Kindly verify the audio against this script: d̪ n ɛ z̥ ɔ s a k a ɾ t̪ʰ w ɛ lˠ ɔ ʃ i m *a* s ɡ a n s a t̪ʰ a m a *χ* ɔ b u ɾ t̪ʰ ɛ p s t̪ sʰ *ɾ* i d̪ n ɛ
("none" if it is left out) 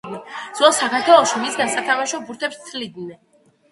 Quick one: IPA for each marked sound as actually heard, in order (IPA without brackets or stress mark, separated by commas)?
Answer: i, ʃ, l